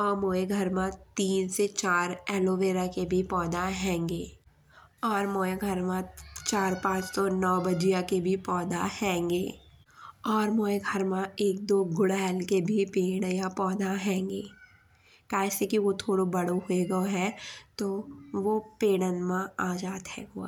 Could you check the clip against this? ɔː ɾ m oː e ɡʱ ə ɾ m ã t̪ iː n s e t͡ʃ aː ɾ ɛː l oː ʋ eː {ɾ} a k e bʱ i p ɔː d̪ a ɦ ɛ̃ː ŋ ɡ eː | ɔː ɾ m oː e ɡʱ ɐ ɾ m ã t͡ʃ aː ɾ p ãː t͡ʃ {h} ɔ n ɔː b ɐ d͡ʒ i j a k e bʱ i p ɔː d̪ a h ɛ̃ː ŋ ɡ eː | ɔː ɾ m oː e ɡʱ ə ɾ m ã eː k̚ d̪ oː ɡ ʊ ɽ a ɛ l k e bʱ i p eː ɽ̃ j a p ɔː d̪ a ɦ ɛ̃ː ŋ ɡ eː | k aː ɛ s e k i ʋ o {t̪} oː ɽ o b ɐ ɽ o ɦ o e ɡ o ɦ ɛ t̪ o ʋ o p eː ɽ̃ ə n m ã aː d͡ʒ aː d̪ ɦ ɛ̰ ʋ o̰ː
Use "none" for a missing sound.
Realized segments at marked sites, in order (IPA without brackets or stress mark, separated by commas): ɾ, s, t̪ʰ